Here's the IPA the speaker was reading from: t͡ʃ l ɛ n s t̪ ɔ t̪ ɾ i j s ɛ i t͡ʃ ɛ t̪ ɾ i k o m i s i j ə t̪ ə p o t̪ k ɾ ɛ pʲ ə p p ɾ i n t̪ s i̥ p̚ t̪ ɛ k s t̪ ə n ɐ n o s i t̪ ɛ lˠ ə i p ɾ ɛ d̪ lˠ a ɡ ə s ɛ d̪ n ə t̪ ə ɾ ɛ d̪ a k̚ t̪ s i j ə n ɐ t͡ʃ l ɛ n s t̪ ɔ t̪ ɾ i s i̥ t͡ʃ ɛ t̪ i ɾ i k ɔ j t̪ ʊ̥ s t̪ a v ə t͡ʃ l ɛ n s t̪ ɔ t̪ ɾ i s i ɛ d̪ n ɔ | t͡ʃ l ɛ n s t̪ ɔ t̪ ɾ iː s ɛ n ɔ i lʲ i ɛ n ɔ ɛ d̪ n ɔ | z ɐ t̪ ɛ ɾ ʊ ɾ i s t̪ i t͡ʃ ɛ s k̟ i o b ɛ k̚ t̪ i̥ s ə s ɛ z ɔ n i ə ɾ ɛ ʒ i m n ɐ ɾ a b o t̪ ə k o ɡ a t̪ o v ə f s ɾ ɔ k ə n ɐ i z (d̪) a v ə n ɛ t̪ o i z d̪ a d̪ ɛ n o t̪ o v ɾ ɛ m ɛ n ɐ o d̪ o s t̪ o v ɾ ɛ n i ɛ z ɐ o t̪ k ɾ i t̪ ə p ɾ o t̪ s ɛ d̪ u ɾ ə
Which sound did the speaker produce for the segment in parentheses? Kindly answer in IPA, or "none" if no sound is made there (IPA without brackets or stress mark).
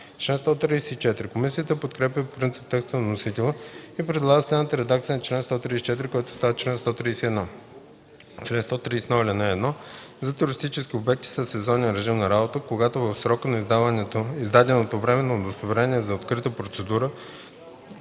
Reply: d̪